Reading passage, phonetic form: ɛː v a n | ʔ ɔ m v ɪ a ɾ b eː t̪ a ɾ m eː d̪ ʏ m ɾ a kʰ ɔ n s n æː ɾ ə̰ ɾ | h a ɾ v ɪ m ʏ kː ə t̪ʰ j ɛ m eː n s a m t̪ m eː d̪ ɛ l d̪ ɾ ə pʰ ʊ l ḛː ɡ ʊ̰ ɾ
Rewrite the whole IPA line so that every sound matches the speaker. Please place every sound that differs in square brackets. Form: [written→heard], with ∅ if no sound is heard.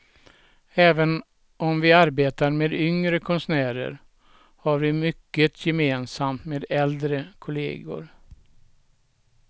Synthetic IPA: ɛː v [a→ə] n | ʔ ɔ m v ɪ a ɾ b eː t̪ a ɾ m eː d̪ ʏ [m→ŋ] ɾ [a→ə] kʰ ɔ n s n æː ɾ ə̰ ɾ | h a ɾ v ɪ m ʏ kː ə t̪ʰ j ɛ m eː n s a m t̪ m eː d̪ ɛ l d̪ ɾ ə [pʰ→kʰ] ʊ l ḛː ɡ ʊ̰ ɾ